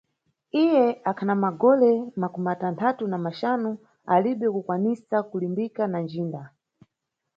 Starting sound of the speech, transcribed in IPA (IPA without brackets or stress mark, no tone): i